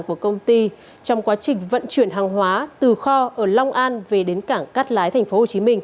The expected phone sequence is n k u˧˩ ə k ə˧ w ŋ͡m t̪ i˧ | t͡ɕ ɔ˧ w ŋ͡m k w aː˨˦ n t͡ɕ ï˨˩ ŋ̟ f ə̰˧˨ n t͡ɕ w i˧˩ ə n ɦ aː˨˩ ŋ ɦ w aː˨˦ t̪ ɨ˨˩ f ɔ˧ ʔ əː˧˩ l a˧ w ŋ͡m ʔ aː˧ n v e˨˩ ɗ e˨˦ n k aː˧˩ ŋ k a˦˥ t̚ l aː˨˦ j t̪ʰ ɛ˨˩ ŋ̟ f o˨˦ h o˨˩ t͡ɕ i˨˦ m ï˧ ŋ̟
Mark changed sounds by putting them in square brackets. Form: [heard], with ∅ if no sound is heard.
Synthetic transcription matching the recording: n k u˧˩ ə k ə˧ w ŋ͡m t̪ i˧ | t͡ɕ ɔ˧ w ŋ͡m k w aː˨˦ [∅] t͡ɕ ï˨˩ ŋ̟ [v] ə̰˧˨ n t͡ɕ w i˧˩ ə n ɦ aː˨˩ ŋ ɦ w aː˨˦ t̪ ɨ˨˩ [x] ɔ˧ ʔ əː˧˩ l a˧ w ŋ͡m ʔ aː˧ n v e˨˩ ɗ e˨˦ n k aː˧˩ ŋ k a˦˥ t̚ l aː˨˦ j t̪ʰ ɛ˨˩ ŋ̟ f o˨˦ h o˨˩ t͡ɕ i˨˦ m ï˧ ŋ̟

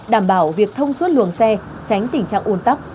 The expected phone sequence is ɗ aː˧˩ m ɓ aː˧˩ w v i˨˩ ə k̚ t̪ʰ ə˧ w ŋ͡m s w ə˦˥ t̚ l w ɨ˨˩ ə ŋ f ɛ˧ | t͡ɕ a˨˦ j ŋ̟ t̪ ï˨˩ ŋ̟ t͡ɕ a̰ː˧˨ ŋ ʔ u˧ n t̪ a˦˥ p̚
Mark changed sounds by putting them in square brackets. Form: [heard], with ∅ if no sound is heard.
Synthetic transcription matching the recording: ɗ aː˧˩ m ɓ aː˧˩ w v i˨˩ ə k̚ t̪ʰ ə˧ w ŋ͡m s w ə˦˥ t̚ l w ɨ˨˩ ə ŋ [s] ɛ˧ | t͡ɕ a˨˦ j ŋ̟ t̪ ï˨˩ ŋ̟ t͡ɕ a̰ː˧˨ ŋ ʔ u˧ n t̪ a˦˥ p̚

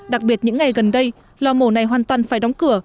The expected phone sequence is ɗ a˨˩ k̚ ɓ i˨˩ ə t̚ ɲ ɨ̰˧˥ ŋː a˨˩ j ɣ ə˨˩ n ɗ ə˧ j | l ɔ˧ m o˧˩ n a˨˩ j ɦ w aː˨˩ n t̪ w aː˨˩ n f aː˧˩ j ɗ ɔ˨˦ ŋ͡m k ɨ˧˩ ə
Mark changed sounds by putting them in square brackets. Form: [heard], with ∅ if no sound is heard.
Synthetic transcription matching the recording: ɗ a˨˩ k̚ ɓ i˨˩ ə t̚ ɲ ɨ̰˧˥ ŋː a˨˩ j ɣ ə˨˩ n ɗ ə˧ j | l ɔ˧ m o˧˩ n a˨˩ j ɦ w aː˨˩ n t̪ w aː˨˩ n f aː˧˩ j ɗ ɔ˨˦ ŋ͡m k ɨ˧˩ ə

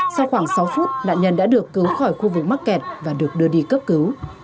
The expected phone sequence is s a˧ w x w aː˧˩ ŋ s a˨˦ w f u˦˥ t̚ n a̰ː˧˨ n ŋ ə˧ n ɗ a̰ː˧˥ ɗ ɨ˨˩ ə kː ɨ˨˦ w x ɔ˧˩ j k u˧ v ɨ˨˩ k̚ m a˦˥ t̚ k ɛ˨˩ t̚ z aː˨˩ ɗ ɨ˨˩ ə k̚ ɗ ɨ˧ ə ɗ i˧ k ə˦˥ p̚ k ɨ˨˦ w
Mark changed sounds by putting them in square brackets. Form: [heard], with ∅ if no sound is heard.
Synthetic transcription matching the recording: s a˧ w x w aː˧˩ ŋ s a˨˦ w f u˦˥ t̚ n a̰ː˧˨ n [ɲ] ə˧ n ɗ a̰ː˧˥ ɗ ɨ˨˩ ə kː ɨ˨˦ w x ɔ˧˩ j [x] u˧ v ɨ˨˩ k̚ m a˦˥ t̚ k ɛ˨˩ t̚ [v] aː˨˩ ɗ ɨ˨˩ ə k̚ ɗ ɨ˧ ə ɗ i˧ k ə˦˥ p̚ k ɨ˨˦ w

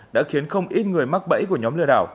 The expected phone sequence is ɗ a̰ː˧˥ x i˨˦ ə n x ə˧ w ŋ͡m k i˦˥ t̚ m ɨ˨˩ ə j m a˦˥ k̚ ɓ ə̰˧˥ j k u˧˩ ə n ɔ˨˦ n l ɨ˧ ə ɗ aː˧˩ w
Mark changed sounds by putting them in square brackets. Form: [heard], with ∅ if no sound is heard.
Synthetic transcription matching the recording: ɗ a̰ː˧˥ x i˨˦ ə n x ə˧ w ŋ͡m [ʔ] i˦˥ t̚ [ŋ] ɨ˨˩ ə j m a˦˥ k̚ ɓ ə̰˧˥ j k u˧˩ ə [ɲ] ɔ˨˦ [m] l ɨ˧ ə ɗ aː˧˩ w

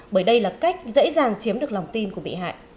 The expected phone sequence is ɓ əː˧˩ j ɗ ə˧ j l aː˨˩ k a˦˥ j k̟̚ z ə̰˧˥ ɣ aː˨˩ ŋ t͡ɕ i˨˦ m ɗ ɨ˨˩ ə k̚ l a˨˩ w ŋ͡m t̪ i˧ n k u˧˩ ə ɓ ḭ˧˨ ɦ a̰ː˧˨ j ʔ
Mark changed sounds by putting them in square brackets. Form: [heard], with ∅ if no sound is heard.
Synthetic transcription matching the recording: ɓ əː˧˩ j ɗ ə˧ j l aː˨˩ k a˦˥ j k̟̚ z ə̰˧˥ [z] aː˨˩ ŋ t͡ɕ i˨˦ m ɗ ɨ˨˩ ə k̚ l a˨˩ w ŋ͡m t̪ i˧ n k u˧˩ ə ɓ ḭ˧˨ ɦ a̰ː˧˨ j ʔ

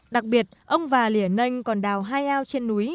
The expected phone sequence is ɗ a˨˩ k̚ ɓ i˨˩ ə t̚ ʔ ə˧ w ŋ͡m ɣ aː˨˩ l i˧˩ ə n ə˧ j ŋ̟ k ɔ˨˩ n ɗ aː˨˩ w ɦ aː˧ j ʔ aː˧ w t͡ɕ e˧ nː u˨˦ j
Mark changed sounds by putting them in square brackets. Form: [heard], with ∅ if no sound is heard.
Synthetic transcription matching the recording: ɗ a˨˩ k̚ ɓ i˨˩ ə t̚ ʔ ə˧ w ŋ͡m [v] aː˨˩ l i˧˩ ə n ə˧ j ŋ̟ k ɔ˨˩ n ɗ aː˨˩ w ɦ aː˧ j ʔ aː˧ w t͡ɕ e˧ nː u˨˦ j

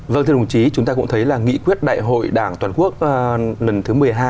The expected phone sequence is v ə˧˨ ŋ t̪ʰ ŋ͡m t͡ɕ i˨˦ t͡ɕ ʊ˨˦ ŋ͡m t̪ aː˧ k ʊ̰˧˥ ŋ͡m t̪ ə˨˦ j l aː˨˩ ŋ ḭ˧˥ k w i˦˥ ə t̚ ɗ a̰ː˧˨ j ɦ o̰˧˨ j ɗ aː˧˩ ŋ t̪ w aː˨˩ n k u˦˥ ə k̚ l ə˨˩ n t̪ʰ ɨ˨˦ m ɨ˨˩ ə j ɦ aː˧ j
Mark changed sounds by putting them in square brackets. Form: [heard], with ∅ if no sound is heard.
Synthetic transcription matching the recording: v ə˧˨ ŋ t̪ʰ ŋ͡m t͡ɕ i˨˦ t͡ɕ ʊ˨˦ ŋ͡m t̪ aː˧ k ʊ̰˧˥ ŋ͡m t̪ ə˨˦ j l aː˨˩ ŋ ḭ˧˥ k w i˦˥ ə t̚ ɗ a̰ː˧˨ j ɦ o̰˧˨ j ɗ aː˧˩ ŋ t̪ w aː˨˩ n k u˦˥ ə k̚ l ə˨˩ n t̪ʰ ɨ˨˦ m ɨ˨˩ ə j ɦ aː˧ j

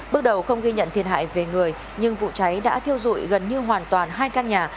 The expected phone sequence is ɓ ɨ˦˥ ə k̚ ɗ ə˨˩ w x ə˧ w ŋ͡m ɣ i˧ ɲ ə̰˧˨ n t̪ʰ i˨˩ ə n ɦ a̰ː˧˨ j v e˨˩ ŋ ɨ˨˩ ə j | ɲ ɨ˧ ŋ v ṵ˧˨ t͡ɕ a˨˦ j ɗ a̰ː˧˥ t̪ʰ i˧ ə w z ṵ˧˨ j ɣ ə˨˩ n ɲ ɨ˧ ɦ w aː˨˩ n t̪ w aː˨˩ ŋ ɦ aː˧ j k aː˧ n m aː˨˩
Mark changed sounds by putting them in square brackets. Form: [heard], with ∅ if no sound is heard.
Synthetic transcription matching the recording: ɓ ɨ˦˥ ə k̚ ɗ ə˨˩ w x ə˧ w ŋ͡m ɣ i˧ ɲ ə̰˧˨ n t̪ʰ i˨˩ ə n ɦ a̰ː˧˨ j v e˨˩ ŋ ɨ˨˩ ə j | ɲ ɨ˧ ŋ v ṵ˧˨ t͡ɕ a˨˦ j ɗ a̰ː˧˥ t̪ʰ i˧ ə w z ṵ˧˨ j ɣ ə˨˩ n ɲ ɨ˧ ɦ w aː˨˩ n t̪ w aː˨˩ [n] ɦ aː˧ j k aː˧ n [ɲ] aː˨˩

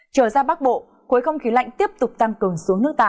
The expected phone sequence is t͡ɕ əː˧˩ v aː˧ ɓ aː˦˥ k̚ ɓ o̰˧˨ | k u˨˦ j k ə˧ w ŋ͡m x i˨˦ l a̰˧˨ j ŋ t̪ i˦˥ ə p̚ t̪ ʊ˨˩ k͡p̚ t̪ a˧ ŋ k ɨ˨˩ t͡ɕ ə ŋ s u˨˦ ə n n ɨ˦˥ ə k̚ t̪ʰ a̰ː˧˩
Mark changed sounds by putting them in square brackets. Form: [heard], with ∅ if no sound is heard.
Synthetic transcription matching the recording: t͡ɕ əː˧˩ [z] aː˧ ɓ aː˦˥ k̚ ɓ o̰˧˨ | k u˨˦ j [x] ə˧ w ŋ͡m x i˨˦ l a̰˧˨ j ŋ t̪ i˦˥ ə p̚ t̪ ʊ˨˩ k͡p̚ t̪ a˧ ŋ k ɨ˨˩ [∅] ə ŋ s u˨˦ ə [ŋ] n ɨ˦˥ ə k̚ [t̪] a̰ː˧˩

